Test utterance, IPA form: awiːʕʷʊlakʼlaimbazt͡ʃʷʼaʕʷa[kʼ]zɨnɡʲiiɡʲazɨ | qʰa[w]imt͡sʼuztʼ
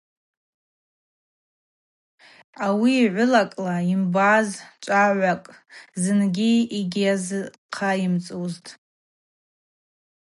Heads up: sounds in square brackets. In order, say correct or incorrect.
correct, incorrect: none

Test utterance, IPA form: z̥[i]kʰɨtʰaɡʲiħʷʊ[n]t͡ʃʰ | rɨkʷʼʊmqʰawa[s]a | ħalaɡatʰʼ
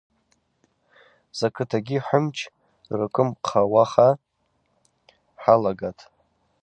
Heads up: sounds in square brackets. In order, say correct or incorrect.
incorrect: a, incorrect: m, incorrect: χ

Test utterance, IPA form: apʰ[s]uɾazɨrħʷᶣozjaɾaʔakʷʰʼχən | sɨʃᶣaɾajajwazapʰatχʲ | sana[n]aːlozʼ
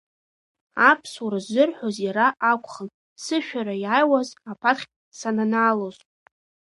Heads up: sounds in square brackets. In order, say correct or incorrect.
correct, correct

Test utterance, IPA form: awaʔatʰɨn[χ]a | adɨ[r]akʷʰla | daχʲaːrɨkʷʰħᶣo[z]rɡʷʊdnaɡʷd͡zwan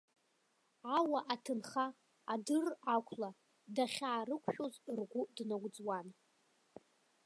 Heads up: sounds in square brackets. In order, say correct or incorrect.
correct, correct, correct

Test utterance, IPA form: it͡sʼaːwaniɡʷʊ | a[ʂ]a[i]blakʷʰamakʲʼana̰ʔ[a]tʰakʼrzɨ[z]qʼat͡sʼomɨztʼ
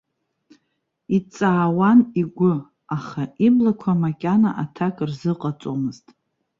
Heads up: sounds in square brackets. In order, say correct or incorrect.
incorrect: χ, correct, correct, incorrect: none

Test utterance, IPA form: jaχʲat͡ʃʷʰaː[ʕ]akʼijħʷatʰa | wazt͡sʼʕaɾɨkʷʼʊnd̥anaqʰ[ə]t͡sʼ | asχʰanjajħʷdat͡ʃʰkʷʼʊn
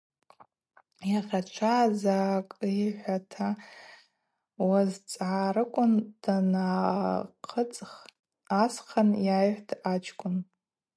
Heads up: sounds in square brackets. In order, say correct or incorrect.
incorrect: z, correct

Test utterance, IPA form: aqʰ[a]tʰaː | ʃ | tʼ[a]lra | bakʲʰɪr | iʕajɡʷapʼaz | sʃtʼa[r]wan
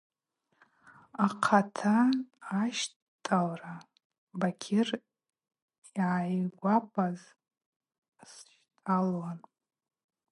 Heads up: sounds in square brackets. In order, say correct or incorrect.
correct, correct, incorrect: l

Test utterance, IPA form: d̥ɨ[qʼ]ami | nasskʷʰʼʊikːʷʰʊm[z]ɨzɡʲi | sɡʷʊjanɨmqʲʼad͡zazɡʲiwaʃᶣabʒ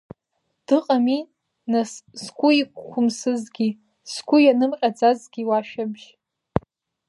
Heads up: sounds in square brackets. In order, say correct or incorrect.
correct, incorrect: s

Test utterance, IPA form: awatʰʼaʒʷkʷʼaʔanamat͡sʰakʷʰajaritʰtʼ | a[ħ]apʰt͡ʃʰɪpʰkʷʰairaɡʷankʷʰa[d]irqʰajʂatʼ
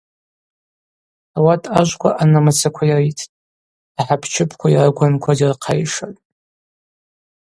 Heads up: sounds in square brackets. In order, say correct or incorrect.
correct, correct

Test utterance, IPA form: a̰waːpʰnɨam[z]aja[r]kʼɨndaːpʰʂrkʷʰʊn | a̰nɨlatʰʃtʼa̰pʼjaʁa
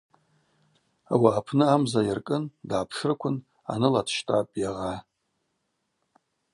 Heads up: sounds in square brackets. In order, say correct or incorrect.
correct, correct

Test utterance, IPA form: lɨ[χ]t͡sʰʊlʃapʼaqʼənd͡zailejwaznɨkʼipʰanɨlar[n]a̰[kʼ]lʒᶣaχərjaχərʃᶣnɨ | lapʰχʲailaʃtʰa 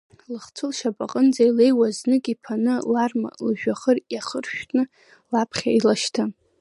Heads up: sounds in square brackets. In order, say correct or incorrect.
correct, incorrect: m, incorrect: none

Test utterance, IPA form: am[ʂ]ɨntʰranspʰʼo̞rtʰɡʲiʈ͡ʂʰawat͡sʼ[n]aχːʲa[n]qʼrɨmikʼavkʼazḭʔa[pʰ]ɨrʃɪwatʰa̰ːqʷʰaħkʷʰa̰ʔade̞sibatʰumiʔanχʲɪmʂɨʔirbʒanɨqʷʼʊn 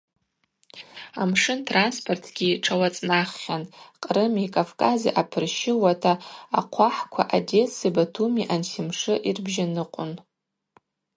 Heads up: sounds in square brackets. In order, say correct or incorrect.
correct, correct, correct, correct

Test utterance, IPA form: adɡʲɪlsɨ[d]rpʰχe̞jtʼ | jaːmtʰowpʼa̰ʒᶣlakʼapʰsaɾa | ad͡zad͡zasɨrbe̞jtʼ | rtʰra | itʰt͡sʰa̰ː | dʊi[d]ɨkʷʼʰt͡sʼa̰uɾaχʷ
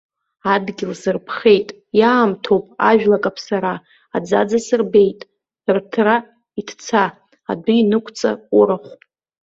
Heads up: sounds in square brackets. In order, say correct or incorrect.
incorrect: none, incorrect: n

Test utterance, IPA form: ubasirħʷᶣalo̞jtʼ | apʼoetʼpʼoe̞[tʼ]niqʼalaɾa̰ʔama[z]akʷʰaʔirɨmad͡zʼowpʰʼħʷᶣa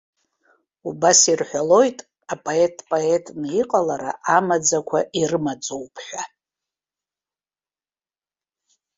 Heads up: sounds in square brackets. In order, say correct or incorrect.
correct, incorrect: d͡z

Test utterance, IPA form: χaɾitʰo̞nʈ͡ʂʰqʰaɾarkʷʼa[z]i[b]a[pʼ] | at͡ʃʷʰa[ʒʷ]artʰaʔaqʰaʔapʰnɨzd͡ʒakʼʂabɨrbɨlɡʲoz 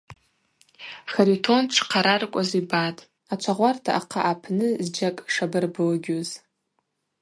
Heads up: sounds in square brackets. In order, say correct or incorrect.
correct, correct, incorrect: tʼ, incorrect: ʁʷ

